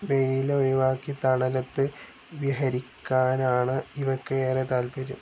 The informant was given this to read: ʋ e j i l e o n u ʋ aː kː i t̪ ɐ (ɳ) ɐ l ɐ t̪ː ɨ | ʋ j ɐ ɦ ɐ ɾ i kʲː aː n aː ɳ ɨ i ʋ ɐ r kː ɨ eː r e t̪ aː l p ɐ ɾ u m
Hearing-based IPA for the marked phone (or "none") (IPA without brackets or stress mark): ɳ